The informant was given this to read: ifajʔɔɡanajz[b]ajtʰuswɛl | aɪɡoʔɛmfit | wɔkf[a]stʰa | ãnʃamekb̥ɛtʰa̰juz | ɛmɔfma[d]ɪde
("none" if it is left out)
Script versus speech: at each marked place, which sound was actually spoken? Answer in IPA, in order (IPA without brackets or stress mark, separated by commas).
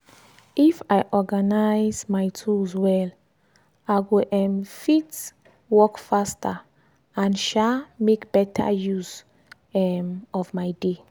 m, a, none